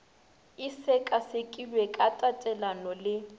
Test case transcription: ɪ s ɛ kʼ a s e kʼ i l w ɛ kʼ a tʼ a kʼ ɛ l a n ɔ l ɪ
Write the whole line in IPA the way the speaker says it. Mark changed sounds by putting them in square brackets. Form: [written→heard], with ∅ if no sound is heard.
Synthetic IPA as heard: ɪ s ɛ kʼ a s e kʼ i l w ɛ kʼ a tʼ a [kʼ→tʼ] ɛ l a n ɔ l ɪ